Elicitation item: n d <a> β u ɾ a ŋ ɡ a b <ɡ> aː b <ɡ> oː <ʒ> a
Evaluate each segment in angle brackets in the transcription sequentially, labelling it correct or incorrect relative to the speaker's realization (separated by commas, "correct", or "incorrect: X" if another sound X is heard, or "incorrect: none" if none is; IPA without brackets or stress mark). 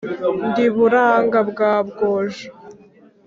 incorrect: i, correct, correct, correct